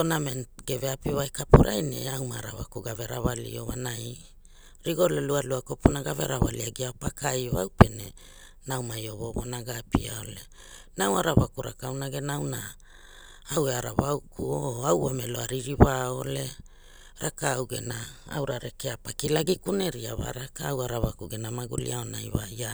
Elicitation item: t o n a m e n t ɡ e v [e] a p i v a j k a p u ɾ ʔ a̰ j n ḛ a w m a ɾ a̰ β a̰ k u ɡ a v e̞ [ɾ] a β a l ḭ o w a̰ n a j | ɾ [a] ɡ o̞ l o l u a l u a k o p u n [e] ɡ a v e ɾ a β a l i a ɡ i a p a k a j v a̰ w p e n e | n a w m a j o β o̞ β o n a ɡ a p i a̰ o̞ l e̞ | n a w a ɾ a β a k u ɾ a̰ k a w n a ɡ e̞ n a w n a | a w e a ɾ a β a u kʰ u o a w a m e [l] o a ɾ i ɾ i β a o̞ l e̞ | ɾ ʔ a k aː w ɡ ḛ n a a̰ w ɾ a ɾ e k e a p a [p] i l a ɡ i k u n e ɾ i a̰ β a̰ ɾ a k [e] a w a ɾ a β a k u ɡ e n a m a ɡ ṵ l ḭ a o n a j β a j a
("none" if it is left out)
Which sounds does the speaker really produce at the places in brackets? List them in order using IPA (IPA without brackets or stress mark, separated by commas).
e, ɾ, i, a, l, k, a